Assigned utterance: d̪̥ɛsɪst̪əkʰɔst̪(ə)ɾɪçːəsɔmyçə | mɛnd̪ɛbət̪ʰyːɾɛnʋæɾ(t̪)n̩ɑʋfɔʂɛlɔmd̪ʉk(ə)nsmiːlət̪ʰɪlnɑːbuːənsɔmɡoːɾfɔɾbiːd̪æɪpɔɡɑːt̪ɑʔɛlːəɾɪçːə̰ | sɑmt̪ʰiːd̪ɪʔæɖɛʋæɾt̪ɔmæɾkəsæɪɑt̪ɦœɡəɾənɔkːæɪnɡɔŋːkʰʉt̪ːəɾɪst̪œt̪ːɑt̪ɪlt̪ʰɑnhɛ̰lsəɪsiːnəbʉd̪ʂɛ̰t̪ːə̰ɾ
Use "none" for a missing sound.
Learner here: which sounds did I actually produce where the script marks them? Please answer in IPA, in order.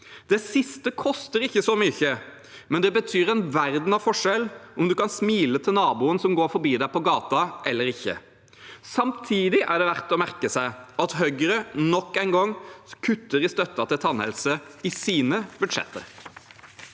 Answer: ə, d̪, ɑ

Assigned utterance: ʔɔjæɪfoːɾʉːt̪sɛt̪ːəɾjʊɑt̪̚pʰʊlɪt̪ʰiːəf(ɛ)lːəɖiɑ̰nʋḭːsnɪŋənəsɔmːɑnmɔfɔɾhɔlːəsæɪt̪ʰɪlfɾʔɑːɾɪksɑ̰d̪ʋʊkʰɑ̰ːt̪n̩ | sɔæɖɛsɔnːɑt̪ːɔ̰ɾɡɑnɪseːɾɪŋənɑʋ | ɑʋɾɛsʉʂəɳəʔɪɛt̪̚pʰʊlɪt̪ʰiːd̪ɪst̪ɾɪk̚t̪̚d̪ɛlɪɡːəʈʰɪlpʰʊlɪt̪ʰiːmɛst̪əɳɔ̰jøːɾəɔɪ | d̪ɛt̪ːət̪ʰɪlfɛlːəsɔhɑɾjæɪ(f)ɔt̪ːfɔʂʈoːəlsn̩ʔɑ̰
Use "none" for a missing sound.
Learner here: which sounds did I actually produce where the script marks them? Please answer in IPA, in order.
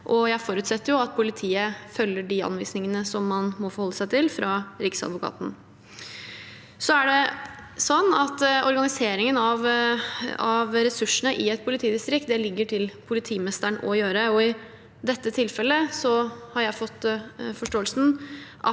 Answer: œ, f

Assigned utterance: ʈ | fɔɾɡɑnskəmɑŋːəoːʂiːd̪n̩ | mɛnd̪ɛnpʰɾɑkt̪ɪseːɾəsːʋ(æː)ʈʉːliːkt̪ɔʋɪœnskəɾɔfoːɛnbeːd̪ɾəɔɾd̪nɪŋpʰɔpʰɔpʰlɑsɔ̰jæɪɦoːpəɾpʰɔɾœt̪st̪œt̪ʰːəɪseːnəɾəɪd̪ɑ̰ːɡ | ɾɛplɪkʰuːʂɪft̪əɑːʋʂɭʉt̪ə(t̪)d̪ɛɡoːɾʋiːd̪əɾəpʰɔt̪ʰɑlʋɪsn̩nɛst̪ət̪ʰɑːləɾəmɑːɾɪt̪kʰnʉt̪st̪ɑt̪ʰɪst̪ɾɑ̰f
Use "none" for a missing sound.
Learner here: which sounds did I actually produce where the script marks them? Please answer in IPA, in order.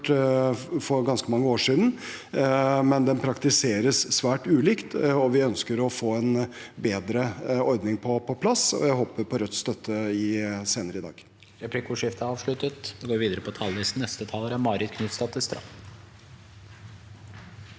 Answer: æː, t̪

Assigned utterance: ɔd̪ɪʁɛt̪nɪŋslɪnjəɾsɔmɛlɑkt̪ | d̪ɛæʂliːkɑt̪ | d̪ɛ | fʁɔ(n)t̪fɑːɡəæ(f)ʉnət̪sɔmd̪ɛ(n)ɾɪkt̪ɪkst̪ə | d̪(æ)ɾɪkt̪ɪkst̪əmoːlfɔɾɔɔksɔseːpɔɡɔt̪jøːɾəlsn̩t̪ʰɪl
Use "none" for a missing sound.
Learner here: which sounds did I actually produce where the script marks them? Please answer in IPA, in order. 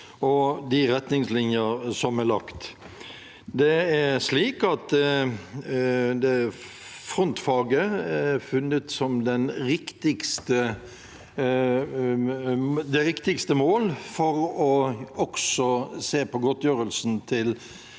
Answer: n, f, n, ɛ

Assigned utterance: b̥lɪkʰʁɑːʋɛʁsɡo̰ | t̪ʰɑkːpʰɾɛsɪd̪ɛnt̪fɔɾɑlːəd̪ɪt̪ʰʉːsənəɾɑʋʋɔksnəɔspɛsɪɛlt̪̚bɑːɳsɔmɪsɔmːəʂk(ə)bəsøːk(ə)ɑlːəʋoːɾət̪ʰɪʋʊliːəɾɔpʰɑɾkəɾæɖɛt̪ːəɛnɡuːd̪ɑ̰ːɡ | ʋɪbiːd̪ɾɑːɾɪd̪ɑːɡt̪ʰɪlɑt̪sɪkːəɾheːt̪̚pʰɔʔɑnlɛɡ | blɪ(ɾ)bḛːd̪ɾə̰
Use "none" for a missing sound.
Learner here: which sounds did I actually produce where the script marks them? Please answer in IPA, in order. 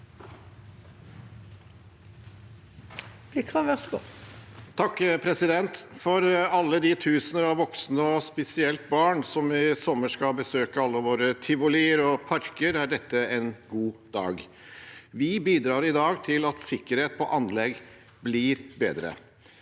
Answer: ɑ, ə, ɾ

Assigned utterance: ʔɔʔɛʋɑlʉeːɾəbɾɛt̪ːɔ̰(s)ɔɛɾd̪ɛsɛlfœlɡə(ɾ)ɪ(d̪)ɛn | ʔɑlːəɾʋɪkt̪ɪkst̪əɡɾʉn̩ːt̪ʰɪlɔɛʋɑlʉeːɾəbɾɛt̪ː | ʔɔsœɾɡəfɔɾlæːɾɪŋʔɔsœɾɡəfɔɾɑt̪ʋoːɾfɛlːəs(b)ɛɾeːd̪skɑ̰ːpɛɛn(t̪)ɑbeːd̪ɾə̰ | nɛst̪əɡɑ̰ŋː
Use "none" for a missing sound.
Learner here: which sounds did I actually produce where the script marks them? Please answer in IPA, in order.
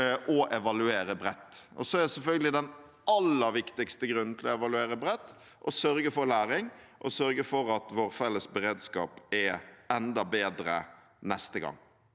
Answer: s, l, d̪, b, d̪

